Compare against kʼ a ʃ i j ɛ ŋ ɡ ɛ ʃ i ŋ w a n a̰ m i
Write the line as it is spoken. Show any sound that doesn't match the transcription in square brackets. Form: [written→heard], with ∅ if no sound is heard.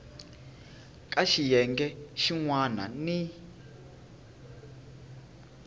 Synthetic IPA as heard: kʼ a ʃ i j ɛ ŋ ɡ ɛ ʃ i ŋ w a n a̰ [m→n] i